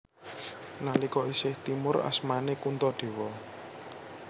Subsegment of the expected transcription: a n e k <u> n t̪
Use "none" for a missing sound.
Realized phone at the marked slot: u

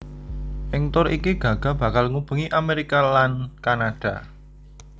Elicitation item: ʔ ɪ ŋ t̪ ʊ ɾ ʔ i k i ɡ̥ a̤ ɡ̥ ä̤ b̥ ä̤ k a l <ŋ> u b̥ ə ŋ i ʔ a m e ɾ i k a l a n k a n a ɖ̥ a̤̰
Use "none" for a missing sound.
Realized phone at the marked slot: ŋ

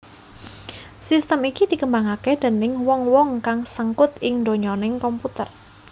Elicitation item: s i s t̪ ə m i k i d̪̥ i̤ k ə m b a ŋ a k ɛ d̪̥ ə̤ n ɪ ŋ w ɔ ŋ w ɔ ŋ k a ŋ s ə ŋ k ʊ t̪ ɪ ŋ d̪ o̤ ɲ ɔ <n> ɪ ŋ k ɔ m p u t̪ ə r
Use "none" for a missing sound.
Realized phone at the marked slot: n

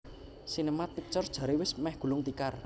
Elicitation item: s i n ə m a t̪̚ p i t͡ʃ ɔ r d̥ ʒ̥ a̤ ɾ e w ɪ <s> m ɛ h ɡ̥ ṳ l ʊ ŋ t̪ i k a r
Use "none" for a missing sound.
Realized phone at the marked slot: s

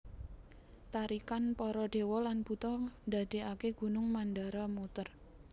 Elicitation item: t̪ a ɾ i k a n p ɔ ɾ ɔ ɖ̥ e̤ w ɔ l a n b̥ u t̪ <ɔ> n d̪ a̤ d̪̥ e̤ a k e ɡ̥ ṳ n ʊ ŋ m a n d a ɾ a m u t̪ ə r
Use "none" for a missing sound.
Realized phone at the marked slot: ɔ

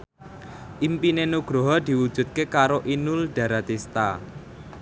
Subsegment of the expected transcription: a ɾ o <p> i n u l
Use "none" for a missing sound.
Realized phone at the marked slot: ʔ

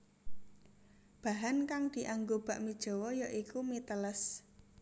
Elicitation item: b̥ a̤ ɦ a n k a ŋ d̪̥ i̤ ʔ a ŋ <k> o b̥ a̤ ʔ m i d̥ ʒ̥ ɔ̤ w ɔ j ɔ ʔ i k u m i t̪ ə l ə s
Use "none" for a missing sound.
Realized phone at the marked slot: ɡ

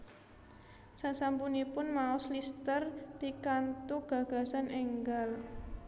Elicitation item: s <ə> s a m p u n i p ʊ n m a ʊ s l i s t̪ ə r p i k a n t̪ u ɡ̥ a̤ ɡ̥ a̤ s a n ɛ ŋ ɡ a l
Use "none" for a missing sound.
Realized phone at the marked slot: a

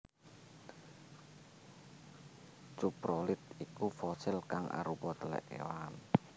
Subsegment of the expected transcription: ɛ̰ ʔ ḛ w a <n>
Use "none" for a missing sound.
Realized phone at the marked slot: n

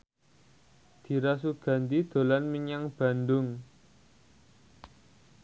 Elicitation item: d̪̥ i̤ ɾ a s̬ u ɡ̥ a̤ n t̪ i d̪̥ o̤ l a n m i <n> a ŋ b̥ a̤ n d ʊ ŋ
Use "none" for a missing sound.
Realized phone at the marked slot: ɲ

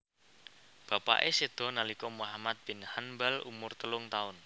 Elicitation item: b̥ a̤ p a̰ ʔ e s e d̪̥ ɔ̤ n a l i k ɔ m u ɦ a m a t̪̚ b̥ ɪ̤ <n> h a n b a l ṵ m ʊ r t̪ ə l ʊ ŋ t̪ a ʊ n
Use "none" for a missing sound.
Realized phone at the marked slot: n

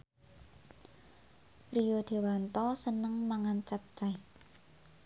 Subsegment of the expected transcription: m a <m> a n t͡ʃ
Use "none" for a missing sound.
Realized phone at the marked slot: ŋ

